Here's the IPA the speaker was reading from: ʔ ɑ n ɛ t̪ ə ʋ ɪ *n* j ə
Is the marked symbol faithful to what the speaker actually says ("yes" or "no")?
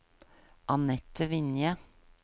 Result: yes